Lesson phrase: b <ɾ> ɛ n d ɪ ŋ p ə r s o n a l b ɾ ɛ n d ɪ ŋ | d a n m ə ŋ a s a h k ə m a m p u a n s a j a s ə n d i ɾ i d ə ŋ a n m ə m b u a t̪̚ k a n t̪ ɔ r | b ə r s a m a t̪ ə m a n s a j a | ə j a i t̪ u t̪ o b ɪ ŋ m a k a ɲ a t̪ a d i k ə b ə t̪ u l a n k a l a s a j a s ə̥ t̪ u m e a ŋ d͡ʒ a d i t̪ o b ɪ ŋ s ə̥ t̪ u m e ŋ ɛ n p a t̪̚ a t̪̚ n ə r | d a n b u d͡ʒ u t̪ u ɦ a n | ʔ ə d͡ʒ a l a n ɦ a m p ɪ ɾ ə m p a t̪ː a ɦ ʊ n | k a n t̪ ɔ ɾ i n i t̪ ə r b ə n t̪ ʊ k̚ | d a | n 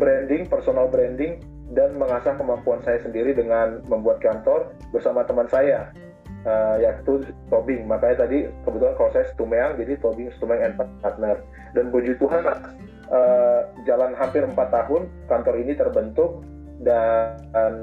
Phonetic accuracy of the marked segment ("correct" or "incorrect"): correct